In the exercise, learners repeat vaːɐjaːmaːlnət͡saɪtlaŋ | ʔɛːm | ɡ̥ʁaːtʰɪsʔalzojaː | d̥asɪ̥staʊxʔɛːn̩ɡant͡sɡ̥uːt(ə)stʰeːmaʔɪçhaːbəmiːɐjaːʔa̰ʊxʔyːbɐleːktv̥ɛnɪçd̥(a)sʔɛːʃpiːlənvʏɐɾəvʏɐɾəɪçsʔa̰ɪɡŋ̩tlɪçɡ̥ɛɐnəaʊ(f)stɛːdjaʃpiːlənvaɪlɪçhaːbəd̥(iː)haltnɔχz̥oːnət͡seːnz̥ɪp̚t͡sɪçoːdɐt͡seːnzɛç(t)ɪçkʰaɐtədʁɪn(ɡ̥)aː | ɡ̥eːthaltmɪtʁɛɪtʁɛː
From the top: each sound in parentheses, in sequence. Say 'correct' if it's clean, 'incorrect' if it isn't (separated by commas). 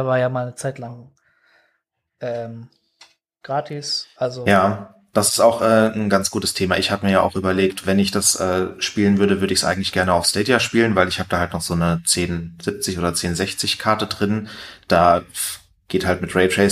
correct, correct, correct, incorrect, incorrect, incorrect